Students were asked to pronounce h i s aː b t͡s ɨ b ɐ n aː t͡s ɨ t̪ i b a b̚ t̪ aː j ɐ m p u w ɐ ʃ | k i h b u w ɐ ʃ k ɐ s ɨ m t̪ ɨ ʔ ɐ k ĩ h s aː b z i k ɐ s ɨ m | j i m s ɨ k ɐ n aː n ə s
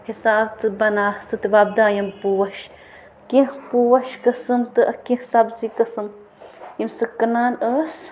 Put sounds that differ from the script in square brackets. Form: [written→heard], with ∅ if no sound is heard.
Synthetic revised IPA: h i s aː b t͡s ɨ b ɐ n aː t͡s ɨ t̪ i b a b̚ [t̪→d̪] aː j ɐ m p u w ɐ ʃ | k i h [b→p] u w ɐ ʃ k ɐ s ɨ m t̪ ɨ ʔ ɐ k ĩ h s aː b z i k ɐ s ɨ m | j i m s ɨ k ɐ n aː n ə s